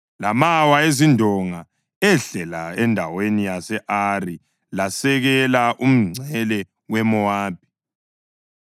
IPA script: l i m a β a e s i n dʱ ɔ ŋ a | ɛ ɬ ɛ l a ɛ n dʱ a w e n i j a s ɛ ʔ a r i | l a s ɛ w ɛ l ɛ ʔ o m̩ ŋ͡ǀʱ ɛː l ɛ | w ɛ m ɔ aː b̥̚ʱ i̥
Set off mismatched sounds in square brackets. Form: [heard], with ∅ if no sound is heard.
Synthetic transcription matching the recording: l [a] m a [w] a e [z] i n dʱ ɔ ŋ a | ɛ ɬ ɛ l a ɛ n dʱ a w e n i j a s ɛ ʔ a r i | l a s ɛ [ɣ] ɛ l [a] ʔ [u] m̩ ŋ͡ǀʱ [ɛ] l ɛ | w ɛ m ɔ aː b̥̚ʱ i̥